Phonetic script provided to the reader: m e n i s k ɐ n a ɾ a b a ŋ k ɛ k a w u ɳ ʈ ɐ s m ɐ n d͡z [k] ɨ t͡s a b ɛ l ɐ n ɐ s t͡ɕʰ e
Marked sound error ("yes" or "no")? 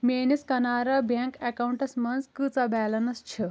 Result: no